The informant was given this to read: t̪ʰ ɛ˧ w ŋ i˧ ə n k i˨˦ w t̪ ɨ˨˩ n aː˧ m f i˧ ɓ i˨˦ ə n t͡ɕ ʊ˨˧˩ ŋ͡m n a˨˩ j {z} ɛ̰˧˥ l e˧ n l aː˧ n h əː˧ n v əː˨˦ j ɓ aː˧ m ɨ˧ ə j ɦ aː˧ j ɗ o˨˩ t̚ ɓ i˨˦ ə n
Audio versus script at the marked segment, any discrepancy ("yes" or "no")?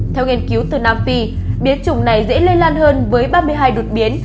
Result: no